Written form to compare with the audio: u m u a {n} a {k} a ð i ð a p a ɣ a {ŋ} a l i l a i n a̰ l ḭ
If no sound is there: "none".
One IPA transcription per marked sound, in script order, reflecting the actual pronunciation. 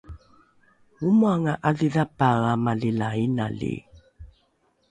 ŋ, ʔ, m

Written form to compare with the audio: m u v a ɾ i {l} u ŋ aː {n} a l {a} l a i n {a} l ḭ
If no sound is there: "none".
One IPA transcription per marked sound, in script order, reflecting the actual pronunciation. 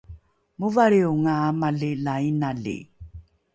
none, m, i, a

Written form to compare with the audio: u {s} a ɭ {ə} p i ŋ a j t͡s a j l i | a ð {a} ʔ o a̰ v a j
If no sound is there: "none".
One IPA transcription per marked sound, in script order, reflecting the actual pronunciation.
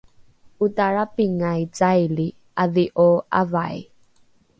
t, a, i

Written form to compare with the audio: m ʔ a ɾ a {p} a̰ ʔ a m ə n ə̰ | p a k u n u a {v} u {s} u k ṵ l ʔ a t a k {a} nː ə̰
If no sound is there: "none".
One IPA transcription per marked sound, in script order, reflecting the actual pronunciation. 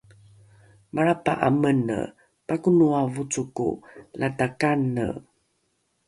p, v, t͡s, a

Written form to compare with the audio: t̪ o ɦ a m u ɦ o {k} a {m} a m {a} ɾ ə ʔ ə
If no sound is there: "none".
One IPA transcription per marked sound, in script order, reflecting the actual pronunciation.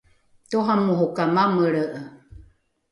k, m, ə

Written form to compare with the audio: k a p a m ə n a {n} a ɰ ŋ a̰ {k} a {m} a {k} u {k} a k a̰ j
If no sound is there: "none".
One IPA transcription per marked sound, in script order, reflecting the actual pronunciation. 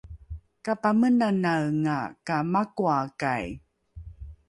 n, k, m, k, none

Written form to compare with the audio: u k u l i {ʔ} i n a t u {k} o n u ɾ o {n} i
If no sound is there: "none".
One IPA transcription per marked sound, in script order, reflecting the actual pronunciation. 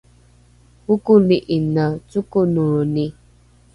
ʔ, k, n

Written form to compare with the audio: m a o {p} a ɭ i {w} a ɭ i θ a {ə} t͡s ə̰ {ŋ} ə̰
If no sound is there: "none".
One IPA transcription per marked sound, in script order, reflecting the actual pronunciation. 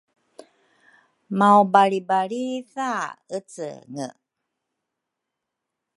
b, b, ə, ŋ

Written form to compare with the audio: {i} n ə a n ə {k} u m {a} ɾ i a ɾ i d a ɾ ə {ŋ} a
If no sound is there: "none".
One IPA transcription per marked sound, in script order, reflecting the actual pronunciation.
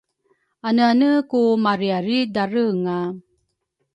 a, k, a, ŋ

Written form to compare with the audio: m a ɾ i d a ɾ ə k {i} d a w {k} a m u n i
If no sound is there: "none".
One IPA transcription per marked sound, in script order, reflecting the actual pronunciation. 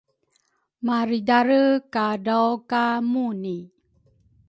a, k

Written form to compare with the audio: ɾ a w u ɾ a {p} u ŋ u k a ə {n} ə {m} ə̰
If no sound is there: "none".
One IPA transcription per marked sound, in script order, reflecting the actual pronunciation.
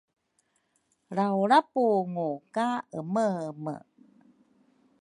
p, m, m

